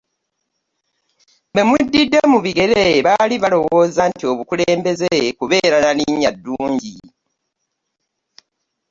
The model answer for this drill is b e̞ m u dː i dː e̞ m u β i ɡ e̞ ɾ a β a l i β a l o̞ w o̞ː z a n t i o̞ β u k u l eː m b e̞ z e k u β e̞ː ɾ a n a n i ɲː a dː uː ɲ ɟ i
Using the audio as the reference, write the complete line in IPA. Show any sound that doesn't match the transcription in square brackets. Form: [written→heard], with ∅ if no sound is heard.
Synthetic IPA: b e̞ m u dː i dː e̞ m u β i ɡ e̞ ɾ [a→e] β a l i β a l o̞ w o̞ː z a n t i o̞ β u k u l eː m b e̞ z e k u β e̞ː ɾ a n a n i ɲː a dː uː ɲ ɟ i